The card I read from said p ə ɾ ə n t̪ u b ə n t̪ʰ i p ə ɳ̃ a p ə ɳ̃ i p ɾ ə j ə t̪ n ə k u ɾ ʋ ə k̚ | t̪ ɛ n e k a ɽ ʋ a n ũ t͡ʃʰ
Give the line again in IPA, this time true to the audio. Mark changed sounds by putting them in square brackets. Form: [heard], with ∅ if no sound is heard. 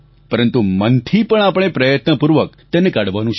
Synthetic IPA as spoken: p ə ɾ ə n t̪ u [m] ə n t̪ʰ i p ə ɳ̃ a p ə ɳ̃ [e] p ɾ ə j ə t̪ n ə [p] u ɾ ʋ ə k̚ | t̪ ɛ n e k a ɽ ʋ a n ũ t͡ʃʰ